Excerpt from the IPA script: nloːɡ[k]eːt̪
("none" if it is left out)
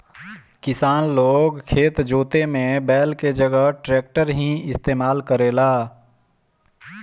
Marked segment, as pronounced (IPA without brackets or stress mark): kʰ